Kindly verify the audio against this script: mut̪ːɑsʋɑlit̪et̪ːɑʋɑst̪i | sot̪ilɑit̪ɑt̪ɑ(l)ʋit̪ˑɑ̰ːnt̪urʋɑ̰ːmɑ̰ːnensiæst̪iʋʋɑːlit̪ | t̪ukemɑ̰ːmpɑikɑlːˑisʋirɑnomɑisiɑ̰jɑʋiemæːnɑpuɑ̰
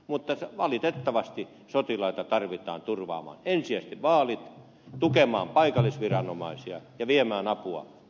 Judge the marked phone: incorrect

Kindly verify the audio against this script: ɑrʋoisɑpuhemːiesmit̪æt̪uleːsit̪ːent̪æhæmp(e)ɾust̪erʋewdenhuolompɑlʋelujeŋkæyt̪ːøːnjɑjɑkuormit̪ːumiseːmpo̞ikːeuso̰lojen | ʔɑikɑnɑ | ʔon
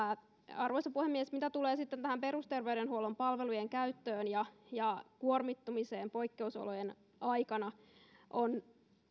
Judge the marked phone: correct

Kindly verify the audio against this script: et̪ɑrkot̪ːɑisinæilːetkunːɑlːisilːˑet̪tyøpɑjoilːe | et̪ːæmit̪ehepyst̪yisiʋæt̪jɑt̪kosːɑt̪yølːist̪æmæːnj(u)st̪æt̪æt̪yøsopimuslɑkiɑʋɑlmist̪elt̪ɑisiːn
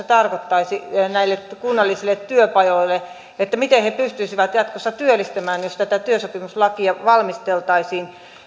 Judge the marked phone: incorrect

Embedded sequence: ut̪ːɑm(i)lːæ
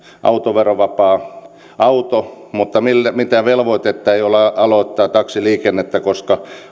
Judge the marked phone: correct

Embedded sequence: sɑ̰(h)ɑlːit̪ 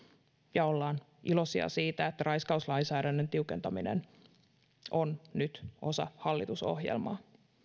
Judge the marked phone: correct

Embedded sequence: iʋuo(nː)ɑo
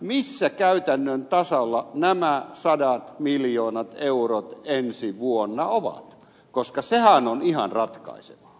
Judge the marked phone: correct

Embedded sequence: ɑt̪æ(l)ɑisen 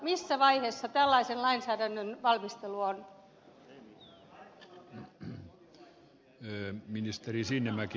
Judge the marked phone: incorrect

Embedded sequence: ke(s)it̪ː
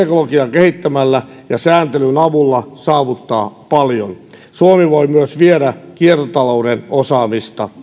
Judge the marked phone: incorrect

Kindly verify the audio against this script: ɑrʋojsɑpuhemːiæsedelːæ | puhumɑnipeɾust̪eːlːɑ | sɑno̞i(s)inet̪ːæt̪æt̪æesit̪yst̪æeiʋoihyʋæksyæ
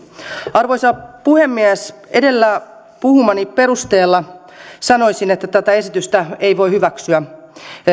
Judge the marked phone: correct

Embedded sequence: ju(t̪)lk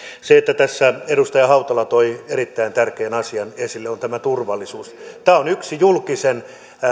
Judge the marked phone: incorrect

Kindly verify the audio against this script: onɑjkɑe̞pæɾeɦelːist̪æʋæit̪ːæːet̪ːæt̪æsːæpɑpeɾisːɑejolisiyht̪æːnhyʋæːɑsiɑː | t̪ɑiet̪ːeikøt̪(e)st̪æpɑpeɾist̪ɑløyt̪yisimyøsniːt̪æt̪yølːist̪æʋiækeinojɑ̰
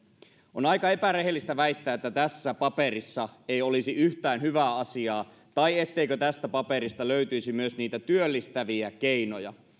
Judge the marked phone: incorrect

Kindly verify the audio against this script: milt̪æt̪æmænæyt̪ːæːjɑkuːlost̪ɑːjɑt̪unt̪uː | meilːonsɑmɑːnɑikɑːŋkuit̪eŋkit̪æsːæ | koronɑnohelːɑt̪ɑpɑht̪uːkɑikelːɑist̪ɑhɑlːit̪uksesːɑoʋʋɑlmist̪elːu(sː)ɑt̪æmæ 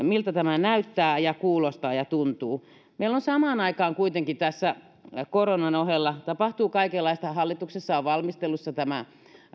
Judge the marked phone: correct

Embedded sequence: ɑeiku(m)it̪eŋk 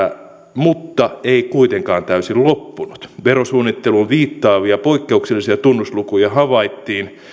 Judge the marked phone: incorrect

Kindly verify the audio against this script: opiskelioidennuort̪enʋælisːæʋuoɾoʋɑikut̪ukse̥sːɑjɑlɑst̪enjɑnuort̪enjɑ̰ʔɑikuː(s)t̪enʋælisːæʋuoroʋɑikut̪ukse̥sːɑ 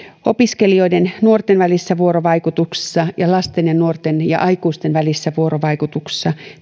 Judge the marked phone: correct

